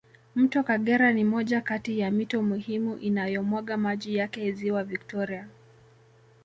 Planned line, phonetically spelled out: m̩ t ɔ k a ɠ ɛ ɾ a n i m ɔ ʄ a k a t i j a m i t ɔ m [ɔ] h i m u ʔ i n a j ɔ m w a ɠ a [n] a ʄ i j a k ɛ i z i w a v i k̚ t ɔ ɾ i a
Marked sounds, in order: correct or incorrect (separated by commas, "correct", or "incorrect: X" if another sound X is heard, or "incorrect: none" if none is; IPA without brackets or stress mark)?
incorrect: u, incorrect: m